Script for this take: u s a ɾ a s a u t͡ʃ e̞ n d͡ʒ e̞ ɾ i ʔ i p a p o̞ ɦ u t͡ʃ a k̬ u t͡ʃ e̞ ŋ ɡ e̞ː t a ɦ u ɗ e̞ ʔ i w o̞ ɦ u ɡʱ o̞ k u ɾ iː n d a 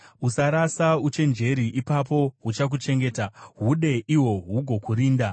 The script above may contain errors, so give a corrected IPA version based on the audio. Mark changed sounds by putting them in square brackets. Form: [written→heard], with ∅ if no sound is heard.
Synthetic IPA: u s a ɾ a s a u t͡ʃ e̞ n d͡ʒ e̞ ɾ i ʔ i p a p o̞ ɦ u t͡ʃ a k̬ u t͡ʃ e̞ ŋ ɡ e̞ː t a ɦ u ɗ e̞ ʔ i w o̞ ɦ u ɡʱ o̞ k u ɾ iː n d a